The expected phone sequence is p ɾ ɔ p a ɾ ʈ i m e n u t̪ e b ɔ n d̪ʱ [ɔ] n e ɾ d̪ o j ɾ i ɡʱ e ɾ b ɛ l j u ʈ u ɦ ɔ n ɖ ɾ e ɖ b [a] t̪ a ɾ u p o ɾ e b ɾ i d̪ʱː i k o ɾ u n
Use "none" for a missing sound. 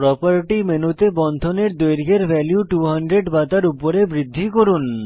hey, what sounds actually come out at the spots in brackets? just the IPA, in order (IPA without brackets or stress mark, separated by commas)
o, a